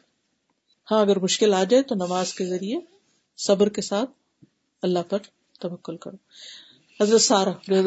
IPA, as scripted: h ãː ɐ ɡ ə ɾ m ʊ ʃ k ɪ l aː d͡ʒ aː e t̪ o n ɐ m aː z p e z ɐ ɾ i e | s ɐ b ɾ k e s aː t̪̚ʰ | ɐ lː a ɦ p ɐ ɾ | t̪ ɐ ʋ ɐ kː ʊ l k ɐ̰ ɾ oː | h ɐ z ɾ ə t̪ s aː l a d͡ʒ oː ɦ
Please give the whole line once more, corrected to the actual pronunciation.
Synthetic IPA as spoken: h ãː ɐ ɡ ə ɾ m ʊ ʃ k ɪ l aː d͡ʒ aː e t̪ o n ɐ m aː z k e z ɐ ɾ i e | s ɐ b ɾ k e s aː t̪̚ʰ | ɐ lː a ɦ p ɐ ɾ | t̪ ɐ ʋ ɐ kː ʊ l k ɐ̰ ɾ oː | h ɐ z ɾ ə t̪ s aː ɾ a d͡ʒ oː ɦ